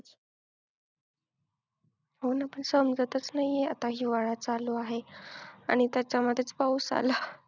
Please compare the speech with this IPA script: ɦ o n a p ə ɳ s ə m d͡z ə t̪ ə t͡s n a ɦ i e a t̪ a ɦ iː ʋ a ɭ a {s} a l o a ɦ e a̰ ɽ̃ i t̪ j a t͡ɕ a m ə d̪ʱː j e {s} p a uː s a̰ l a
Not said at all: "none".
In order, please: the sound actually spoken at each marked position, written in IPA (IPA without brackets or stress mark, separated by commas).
t͡s, t͡s